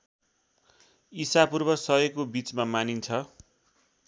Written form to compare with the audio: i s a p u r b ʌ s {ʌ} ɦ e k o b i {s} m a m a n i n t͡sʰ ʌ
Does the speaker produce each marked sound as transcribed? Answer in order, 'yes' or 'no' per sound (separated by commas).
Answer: yes, no